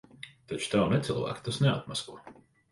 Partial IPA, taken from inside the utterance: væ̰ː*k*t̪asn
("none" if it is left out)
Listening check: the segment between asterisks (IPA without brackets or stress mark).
k